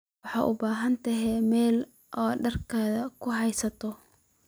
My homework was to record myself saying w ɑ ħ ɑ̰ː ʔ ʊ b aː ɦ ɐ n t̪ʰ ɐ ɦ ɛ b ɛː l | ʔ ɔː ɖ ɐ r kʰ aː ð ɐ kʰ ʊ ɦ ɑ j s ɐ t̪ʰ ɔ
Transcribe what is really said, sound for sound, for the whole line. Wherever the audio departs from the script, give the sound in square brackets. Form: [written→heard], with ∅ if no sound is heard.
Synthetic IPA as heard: w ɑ ħ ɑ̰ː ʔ ʊ b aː ɦ ɐ n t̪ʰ ɐ ɦ ɛ [b→m] ɛː l | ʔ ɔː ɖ ɐ r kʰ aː ð ɐ kʰ ʊ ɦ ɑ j s ɐ t̪ʰ ɔ